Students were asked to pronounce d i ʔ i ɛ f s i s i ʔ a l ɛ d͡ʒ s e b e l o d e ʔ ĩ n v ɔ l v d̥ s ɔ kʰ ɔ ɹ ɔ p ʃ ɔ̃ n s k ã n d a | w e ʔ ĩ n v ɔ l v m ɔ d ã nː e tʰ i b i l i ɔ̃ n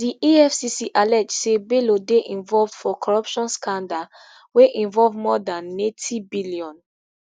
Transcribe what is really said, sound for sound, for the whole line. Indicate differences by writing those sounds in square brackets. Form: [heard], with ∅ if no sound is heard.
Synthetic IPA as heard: d i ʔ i ɛ f s i s i ʔ a l ɛ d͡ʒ s e b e l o d e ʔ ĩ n v ɔ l v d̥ [f] ɔ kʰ ɔ ɹ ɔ p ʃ ɔ̃ n s k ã n d a | w e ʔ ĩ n v ɔ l v m ɔ d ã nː e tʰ i b i l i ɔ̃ n